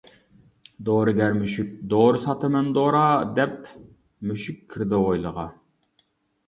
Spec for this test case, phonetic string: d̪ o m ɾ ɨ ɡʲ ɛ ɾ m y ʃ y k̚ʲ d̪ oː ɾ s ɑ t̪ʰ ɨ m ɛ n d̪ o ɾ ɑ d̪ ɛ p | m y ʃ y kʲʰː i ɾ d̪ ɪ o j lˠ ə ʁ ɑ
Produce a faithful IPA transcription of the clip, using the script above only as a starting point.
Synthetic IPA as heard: d̪ o ɾ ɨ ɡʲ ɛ ɾ m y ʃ y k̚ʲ d̪ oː ɾ s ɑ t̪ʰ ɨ m ɛ n d̪ o ɾ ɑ d̪ ɛ p | m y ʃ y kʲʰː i ɾ d̪ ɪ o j lˠ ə ʁ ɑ